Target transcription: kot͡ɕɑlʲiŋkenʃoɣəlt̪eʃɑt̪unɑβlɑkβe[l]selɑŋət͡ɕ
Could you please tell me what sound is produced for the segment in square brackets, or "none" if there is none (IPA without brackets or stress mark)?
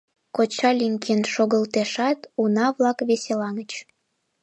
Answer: none